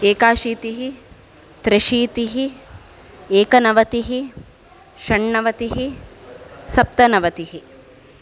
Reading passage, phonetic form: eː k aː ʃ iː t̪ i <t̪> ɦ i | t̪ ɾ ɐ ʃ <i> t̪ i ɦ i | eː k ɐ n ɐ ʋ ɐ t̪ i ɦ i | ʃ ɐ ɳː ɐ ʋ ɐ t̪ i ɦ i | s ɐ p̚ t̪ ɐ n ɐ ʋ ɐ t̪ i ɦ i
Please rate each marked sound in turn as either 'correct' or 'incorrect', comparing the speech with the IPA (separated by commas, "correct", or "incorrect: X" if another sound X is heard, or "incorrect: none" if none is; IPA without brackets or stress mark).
incorrect: none, incorrect: iː